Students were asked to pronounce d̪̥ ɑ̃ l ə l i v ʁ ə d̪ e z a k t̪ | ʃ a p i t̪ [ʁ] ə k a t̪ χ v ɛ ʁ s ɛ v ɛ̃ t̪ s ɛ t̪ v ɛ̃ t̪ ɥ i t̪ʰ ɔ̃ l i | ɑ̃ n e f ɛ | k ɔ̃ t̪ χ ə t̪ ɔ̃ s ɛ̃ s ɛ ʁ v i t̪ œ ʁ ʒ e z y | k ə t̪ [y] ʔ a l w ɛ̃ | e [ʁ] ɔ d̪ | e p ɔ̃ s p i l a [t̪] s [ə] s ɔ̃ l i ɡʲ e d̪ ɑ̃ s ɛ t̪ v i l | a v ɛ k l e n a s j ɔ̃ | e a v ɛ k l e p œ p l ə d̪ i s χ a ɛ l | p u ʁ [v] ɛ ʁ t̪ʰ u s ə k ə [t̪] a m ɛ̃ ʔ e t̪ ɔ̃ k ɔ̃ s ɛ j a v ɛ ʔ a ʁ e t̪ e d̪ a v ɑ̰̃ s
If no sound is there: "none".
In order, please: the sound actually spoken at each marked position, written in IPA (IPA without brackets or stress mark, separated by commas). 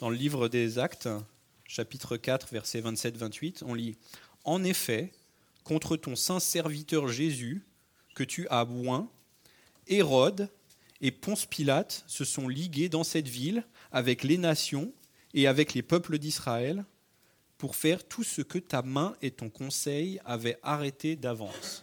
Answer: χ, y, ʁ, t̪, ə, f, t̪